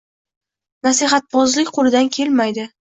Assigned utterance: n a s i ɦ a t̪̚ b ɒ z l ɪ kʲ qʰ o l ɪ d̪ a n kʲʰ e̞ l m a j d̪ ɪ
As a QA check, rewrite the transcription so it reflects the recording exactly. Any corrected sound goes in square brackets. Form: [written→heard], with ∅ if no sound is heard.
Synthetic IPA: n a s i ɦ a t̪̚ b ɒ z l ɪ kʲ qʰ o l ɪ d̪ a n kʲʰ e̞ l m a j d̪ ɪ